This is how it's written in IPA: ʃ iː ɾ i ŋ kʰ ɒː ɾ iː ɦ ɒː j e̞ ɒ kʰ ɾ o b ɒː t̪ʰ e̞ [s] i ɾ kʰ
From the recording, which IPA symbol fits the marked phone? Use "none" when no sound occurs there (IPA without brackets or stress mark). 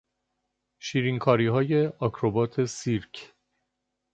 s